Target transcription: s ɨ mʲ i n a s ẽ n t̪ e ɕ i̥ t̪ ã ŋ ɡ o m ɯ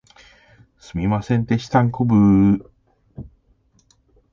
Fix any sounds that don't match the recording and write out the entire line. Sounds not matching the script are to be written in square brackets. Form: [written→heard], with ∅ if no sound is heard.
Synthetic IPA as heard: s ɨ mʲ i [n→m] a s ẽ n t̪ e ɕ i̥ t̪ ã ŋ [ɡ→k] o [m→b] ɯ